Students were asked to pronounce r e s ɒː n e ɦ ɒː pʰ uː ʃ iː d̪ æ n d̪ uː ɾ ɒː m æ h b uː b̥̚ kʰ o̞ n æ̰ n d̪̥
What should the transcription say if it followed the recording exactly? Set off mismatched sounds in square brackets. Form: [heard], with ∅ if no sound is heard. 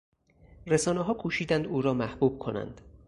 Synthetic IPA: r e s ɒː n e ɦ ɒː [kʰ] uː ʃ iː d̪ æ n d̪ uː ɾ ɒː m æ h b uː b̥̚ kʰ o̞ n æ̰ n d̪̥